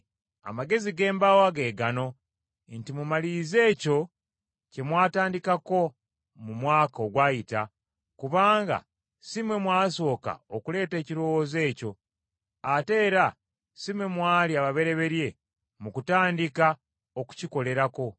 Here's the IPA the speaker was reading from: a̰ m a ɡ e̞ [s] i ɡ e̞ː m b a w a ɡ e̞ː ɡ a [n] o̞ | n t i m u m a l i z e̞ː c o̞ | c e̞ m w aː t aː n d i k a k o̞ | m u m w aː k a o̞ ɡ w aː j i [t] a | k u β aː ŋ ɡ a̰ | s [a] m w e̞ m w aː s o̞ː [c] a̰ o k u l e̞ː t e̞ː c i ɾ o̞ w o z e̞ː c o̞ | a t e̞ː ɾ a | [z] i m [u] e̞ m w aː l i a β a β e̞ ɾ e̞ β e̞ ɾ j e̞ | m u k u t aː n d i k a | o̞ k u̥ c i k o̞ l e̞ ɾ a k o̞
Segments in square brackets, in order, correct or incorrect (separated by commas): incorrect, correct, correct, incorrect, incorrect, incorrect, incorrect